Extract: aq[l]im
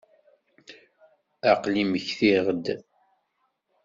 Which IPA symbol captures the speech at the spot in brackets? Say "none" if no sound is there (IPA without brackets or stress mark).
l